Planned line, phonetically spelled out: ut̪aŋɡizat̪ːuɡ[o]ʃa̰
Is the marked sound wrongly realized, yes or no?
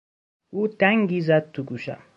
yes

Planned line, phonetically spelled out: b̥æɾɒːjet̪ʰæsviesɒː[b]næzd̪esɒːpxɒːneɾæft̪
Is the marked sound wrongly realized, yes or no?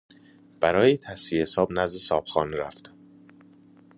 no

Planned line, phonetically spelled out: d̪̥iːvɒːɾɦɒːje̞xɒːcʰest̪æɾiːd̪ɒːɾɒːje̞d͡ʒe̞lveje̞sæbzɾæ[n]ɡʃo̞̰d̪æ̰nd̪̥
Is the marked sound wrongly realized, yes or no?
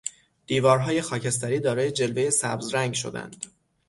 yes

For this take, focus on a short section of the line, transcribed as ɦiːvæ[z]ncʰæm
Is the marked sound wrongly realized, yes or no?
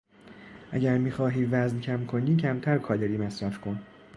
no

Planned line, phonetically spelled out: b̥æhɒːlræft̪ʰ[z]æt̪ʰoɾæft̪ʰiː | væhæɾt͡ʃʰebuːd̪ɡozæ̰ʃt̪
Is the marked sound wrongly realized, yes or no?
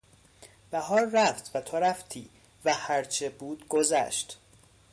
yes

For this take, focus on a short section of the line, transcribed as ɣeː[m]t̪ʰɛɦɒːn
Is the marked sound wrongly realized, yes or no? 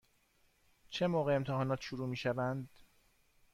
no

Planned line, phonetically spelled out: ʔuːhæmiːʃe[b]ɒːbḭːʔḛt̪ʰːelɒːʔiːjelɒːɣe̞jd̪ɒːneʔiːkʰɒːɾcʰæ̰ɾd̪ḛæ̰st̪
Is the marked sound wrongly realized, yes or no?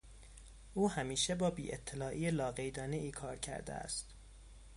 no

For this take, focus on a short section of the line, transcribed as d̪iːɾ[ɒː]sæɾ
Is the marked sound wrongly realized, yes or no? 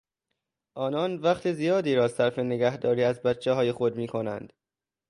no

